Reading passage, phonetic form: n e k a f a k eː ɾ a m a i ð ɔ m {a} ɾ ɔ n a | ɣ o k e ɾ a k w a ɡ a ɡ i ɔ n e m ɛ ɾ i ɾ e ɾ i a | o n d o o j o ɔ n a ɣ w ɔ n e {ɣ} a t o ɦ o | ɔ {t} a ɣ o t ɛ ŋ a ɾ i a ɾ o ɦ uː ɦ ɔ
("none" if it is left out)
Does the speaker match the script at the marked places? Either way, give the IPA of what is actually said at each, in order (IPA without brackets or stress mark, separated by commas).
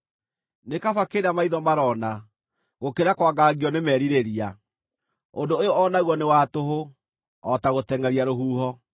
a, w, t